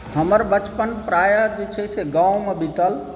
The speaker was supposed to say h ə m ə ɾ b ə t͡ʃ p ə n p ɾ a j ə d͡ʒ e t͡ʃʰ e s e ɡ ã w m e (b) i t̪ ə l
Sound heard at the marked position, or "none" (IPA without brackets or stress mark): b